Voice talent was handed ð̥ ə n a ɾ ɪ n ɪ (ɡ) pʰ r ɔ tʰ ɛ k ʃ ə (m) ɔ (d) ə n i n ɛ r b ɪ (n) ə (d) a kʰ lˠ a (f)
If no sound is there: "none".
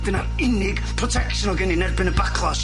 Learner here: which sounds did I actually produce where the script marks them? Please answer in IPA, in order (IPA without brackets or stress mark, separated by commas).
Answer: ɡ, n, ɡ, n, b, s